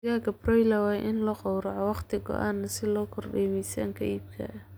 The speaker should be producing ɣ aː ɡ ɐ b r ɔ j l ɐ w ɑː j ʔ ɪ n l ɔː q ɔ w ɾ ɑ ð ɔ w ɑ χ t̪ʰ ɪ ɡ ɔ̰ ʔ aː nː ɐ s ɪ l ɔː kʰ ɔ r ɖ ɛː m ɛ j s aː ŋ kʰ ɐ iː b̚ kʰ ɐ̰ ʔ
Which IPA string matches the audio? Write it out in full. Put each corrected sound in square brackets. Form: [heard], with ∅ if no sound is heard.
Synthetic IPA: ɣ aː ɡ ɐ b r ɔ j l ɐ w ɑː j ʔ ɪ n l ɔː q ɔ w ɾ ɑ [ʕ] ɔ w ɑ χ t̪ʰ ɪ ɡ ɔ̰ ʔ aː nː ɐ s ɪ l ɔː kʰ ɔ r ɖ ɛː m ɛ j s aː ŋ kʰ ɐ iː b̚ kʰ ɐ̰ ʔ